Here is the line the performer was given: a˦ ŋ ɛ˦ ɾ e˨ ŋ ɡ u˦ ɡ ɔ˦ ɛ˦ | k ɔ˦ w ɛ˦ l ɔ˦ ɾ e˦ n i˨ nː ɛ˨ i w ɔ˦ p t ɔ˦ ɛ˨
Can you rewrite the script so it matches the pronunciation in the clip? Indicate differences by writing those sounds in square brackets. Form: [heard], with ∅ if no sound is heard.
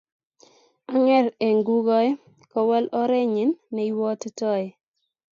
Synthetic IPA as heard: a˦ ŋ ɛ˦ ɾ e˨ ŋ ɡ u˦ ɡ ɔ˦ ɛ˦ | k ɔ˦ w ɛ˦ l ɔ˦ ɾ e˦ [ɲ] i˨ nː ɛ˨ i w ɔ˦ [t] t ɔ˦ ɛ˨